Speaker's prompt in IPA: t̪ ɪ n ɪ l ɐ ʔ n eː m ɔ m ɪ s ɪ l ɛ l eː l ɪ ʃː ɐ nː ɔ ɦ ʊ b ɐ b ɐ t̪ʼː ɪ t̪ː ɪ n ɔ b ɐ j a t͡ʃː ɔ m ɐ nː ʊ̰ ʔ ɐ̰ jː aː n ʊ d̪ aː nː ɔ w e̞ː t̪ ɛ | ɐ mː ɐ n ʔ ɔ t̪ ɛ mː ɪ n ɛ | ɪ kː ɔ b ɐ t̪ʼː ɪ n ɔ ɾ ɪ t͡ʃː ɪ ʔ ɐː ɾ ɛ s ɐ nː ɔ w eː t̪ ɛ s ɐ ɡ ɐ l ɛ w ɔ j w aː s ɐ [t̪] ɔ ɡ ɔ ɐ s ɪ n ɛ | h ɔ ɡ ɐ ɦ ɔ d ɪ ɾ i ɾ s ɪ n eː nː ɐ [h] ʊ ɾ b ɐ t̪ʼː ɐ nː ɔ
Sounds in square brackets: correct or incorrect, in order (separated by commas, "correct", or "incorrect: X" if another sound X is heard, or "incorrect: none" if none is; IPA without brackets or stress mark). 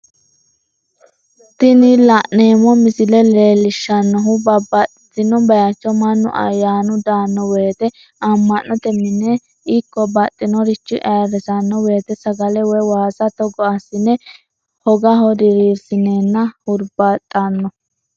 correct, correct